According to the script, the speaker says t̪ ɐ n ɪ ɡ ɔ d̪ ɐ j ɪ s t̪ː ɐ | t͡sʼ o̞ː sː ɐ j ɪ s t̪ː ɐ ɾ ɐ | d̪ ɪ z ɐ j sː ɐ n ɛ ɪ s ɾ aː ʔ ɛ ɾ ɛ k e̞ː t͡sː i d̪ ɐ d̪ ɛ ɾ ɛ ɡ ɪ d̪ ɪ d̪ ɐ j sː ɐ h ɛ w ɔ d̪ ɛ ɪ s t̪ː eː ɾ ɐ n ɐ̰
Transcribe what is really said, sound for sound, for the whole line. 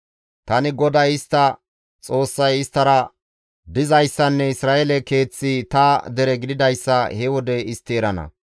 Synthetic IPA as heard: t̪ ɐ n ɪ ɡ ɔ d̪ ɐ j ɪ s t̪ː ɐ | t͡sʼ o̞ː sː ɐ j ɪ s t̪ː ɐ ɾ ɐ | d̪ ɪ z ɐ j sː ɐ nː ɛ ɪ s ɾ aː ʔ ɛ l ɛ k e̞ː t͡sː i t̪ ɐ d̪ ɛ ɾ ɛ ɡ ɪ d̪ ɪ d̪ ɐ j sː ɐ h ɛ w ɔ d̪ ɛ ɪ s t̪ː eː ɾ ɐ n ɐ̰